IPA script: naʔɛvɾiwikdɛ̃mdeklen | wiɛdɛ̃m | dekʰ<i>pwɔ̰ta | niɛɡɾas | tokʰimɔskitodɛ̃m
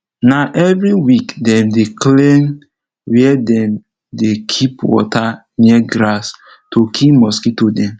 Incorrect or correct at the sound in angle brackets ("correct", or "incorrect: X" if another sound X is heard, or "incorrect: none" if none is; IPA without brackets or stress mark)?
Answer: correct